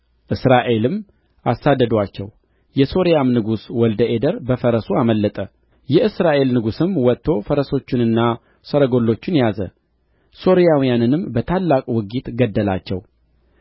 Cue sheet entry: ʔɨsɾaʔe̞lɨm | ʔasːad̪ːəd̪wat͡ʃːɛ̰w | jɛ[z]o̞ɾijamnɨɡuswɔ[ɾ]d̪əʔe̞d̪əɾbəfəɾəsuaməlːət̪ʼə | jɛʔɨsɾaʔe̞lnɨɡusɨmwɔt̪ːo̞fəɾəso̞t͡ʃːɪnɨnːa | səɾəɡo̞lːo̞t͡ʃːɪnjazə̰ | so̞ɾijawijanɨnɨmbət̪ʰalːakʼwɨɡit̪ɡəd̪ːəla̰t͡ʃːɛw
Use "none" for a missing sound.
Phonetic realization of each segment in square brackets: s, l

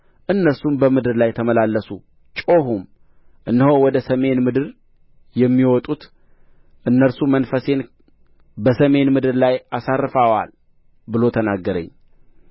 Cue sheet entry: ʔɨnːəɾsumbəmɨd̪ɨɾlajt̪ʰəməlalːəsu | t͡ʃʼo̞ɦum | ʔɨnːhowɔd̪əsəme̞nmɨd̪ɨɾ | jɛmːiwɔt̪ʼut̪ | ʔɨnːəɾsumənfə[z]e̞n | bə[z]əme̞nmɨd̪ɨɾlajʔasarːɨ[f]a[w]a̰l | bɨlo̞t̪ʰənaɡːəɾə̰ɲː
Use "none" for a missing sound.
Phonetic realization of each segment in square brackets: s, s, f, w

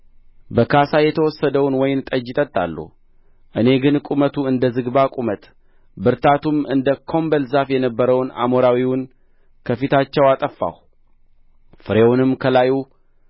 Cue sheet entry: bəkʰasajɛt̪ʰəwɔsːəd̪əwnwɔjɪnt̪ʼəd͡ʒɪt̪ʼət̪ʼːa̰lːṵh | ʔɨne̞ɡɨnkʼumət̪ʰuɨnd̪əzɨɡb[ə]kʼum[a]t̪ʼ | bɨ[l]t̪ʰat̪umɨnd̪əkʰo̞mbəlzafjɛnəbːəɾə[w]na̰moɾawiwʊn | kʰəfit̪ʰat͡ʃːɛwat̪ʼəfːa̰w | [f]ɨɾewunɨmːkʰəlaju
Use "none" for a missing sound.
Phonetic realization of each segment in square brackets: a, ə, ɾ, w, f

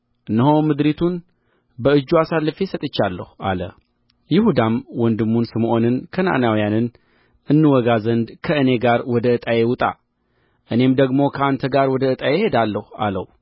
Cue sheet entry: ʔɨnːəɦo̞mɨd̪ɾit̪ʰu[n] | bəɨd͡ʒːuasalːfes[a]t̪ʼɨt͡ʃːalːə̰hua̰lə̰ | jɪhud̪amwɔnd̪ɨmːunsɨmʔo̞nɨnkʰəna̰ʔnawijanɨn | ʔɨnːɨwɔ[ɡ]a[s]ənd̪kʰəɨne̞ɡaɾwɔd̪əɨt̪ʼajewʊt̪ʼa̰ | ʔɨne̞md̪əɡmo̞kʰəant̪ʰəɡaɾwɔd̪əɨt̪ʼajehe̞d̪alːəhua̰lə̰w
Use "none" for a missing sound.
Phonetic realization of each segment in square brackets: n, ə, ɡ, z

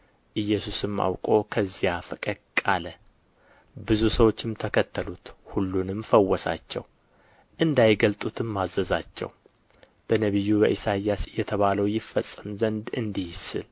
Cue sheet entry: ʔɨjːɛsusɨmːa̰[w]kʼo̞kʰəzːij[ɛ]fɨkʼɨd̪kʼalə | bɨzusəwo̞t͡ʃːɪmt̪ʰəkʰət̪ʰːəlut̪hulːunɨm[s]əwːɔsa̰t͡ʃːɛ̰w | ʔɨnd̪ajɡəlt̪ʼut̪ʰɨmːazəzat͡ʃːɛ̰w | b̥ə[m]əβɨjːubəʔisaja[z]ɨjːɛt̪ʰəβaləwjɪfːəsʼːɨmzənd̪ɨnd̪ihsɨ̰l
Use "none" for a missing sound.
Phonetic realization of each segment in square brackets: w, a, f, n, s

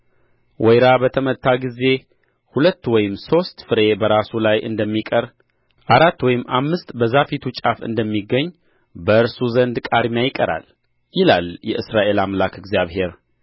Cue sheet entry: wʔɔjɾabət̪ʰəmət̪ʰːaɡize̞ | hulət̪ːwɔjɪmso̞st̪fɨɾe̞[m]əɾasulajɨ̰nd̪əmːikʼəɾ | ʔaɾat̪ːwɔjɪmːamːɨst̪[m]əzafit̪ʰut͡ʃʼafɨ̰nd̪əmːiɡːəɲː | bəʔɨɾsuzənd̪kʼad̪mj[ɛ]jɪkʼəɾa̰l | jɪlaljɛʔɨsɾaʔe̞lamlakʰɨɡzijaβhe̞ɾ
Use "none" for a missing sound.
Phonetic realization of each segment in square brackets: b, b, a

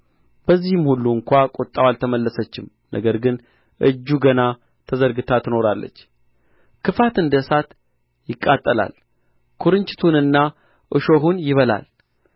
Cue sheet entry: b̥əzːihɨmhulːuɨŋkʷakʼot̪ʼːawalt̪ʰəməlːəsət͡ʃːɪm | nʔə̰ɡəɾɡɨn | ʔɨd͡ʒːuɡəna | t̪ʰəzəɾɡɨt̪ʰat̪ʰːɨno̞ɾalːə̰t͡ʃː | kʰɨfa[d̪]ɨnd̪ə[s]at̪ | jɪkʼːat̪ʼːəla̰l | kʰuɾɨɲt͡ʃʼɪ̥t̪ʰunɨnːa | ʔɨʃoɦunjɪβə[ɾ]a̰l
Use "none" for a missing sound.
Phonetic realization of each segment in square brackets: t̪, s, l

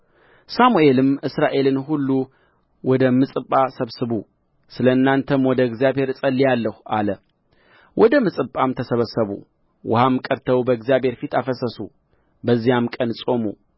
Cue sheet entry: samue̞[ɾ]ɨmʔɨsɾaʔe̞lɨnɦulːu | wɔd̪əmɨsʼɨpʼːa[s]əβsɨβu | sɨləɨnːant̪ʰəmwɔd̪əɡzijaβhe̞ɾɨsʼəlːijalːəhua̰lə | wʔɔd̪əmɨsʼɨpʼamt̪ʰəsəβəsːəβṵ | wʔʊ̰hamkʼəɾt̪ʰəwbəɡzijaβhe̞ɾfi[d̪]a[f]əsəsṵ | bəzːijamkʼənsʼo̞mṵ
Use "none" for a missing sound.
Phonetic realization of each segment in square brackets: l, s, t̪, f

